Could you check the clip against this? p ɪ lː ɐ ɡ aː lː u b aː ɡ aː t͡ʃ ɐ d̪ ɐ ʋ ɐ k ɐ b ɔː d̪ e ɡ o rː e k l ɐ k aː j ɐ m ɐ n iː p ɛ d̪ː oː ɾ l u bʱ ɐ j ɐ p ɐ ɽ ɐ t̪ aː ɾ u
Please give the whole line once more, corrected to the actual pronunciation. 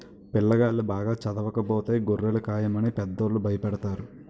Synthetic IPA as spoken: p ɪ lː ɐ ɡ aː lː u b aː ɡ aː t͡ʃ ɐ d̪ ɐ ʋ ɐ k ɐ b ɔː t̪ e ɡ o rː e l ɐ k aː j ɐ m ɐ n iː p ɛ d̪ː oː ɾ l u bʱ ɐ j ɐ p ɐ ɽ ɐ t̪ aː ɾ u